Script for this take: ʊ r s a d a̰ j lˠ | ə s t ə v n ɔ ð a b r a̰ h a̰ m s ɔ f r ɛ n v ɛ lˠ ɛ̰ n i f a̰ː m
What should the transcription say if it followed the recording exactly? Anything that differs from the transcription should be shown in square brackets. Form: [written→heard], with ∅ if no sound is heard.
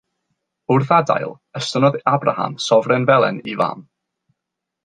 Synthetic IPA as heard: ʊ r [s→θ] a d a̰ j lˠ | ə s t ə [v→∅] n ɔ ð a b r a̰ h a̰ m s ɔ [f→v] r ɛ n v ɛ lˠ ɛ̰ n i [f→v] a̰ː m